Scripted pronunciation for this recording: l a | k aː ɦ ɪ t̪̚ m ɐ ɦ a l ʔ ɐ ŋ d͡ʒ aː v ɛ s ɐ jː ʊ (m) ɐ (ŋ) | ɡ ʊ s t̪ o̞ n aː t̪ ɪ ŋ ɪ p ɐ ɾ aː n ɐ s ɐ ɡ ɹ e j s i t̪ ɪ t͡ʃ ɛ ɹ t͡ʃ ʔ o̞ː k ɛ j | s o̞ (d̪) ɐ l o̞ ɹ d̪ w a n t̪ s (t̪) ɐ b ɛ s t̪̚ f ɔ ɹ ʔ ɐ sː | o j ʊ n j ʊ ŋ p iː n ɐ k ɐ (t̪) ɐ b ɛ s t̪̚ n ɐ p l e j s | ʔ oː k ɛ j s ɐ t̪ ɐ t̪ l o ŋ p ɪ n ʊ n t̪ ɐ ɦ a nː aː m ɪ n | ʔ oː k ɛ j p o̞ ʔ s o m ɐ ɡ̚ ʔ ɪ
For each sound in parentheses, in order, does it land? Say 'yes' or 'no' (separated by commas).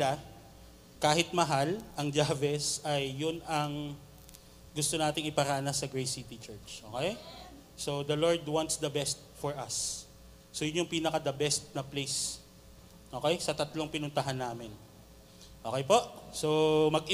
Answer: no, yes, yes, no, no